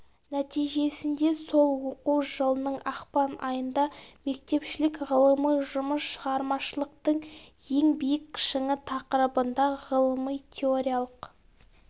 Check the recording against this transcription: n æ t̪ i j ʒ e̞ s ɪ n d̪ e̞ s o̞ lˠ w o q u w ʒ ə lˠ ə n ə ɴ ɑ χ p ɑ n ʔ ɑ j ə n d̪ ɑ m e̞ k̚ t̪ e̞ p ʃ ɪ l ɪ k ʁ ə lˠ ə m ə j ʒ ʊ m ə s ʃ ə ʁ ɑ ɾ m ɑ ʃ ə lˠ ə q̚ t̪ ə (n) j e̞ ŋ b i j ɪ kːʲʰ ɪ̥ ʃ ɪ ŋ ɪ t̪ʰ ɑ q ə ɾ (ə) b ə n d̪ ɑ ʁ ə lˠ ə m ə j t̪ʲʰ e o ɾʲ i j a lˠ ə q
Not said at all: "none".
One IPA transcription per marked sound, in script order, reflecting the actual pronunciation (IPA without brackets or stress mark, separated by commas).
ɴ, ə